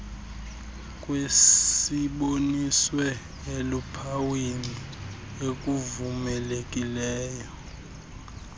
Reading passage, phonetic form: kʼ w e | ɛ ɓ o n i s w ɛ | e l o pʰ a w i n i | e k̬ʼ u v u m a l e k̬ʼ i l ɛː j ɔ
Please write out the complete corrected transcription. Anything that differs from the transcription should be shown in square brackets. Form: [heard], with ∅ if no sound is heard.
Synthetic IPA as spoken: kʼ w e | [i] ɓ o n i s w ɛ | e l [u] pʰ a w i n i | e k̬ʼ u v u m [ɛ] l e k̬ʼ i l ɛː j ɔ